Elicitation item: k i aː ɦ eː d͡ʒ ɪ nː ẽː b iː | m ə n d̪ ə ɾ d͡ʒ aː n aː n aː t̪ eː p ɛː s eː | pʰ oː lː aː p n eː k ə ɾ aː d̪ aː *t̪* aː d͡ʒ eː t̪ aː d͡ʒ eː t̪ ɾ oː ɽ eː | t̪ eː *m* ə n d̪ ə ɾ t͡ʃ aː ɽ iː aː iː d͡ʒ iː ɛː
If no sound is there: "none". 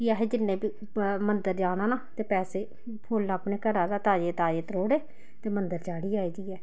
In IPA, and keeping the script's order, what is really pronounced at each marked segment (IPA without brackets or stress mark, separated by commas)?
t̪, m